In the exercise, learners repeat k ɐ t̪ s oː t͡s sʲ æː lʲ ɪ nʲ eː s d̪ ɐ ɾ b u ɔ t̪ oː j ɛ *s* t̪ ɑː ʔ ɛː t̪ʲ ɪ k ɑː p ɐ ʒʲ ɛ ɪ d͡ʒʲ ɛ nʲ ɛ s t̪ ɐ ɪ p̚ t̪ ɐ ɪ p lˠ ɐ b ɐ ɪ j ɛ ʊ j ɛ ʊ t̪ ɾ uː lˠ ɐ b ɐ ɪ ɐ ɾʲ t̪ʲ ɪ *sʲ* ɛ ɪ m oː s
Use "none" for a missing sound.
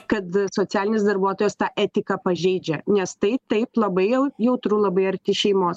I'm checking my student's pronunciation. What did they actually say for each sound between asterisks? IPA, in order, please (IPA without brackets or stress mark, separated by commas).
s, ʃʲ